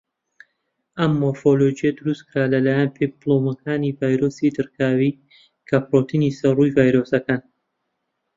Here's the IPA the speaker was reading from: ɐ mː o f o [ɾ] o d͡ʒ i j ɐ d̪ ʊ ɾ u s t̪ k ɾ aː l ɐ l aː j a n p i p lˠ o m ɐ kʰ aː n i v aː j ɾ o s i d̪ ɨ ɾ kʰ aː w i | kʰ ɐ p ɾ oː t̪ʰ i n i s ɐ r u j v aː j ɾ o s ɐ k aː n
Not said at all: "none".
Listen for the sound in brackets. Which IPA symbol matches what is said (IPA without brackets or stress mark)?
l